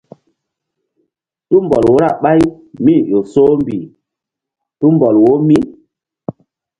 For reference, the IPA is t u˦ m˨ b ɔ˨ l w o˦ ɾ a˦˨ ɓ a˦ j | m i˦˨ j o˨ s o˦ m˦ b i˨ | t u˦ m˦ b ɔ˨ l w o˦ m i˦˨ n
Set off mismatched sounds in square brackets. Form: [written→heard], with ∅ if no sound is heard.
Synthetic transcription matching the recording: t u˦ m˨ b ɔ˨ l w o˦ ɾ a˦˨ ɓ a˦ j | m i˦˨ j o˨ s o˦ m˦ b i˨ | t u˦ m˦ b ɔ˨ l w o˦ m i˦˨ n